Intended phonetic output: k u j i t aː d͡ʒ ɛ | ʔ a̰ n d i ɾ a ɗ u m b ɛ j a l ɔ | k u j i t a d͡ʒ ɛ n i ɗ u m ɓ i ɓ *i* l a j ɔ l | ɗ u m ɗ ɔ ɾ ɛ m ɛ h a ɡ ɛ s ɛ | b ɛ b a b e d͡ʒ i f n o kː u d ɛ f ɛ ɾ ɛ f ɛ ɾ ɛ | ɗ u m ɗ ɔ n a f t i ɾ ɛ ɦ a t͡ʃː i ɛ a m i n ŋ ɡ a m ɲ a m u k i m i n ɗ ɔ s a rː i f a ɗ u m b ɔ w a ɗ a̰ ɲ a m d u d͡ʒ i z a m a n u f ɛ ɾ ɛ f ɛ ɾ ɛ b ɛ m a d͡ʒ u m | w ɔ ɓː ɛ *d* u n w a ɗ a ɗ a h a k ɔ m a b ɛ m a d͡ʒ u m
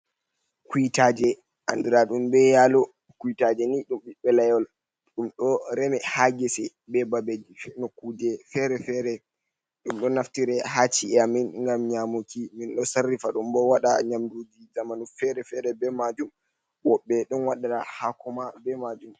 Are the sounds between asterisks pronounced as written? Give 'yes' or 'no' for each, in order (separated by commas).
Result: no, no